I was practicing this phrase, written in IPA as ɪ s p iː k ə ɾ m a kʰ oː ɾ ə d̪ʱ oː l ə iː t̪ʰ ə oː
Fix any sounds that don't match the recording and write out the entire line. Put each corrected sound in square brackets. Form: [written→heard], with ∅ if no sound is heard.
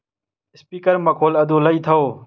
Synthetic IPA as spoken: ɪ s p iː k ə ɾ m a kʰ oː [ɾ→l] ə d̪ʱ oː l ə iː t̪ʰ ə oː